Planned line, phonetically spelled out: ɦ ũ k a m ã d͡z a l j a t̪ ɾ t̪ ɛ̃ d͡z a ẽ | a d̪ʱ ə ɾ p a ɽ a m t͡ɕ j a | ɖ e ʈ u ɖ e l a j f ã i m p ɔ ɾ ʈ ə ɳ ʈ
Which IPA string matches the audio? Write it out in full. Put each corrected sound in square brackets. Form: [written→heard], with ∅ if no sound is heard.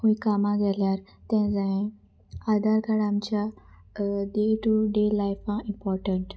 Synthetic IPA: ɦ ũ k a m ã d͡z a l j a [t̪→∅] ɾ t̪ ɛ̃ d͡z a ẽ | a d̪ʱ [ə→a] ɾ [p→k] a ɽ a m t͡ɕ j a | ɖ e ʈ u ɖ e l a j f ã i m p ɔ ɾ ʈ ə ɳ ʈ